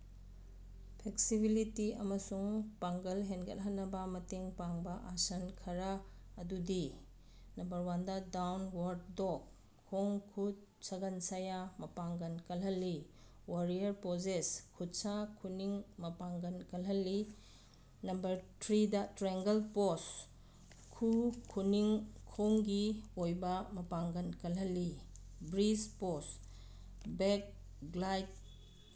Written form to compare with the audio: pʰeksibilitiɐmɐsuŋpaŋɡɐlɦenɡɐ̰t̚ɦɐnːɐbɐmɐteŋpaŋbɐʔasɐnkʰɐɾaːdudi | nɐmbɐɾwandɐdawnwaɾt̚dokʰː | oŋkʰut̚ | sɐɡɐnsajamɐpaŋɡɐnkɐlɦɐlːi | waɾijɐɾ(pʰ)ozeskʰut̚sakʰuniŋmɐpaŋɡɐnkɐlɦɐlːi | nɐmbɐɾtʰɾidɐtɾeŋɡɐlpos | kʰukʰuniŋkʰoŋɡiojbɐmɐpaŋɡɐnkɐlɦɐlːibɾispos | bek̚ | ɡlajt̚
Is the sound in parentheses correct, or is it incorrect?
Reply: incorrect